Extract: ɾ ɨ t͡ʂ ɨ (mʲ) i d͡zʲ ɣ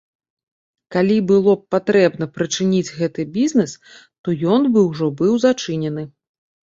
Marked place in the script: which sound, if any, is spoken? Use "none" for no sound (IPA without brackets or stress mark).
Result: nʲ